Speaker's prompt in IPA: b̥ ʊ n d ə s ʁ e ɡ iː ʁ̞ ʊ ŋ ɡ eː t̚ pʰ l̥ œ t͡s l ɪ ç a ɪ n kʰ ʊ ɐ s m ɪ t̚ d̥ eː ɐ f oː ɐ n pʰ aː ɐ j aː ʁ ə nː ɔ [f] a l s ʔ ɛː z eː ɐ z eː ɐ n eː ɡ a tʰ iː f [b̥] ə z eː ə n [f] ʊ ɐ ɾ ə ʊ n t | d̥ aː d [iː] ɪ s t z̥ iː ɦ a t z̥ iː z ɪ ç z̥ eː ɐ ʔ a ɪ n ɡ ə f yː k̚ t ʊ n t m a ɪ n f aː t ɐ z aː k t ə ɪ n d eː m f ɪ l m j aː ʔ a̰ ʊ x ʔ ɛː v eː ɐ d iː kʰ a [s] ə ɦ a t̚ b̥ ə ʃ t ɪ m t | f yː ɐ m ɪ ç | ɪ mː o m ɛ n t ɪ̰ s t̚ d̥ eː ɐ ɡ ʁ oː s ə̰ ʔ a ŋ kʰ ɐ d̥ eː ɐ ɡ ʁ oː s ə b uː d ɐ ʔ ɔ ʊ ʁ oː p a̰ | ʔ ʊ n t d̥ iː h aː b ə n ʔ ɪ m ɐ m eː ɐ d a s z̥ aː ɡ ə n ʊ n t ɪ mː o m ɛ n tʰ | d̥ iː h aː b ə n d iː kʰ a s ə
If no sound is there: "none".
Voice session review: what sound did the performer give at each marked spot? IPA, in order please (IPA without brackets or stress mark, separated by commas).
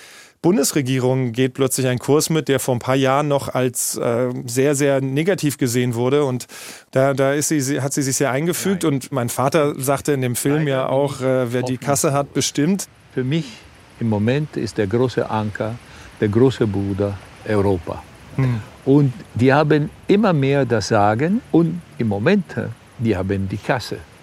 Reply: χ, ɡ̥, v, aː, s